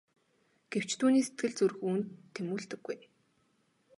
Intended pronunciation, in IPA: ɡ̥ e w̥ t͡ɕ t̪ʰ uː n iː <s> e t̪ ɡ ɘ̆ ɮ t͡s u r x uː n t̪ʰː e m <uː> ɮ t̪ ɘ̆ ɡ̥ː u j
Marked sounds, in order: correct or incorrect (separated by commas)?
correct, correct